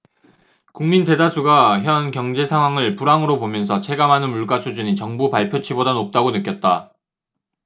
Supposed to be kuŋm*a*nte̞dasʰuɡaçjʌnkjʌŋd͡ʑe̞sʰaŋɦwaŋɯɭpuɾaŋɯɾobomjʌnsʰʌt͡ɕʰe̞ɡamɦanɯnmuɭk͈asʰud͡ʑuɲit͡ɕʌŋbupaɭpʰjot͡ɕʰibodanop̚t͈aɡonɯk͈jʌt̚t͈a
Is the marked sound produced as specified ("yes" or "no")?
no